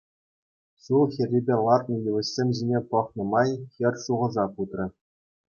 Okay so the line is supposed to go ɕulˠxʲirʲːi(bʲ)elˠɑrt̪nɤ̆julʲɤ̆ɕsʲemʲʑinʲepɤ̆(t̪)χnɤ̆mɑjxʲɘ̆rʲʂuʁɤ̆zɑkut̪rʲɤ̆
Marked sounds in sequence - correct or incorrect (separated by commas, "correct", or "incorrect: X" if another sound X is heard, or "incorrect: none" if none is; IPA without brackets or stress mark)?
correct, incorrect: none